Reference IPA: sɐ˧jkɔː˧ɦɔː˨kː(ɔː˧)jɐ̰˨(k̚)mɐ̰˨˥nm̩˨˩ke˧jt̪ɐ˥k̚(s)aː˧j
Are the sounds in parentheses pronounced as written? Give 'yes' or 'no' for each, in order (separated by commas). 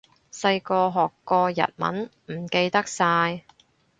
yes, no, yes